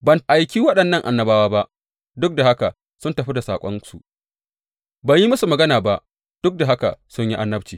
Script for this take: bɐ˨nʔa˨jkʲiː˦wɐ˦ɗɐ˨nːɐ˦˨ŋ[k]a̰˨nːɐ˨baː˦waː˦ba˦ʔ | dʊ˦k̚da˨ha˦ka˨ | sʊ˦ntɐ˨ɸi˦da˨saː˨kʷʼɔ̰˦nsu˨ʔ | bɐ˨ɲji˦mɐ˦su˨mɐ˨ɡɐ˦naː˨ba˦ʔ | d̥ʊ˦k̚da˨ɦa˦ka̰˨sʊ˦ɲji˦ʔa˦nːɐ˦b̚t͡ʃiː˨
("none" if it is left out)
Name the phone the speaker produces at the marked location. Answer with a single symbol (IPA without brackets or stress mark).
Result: ʔ